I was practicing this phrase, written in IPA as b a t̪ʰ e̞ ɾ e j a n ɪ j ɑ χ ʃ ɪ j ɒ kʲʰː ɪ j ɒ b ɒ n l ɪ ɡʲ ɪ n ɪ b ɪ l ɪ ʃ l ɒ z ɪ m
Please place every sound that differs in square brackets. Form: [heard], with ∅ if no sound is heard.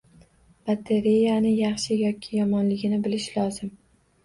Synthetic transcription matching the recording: b a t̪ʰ e̞ ɾ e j a n ɪ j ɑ χ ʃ ɪ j ɒ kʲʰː ɪ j ɒ [m] ɒ n l ɪ ɡʲ ɪ n ɪ b ɪ l ɪ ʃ l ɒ z ɪ m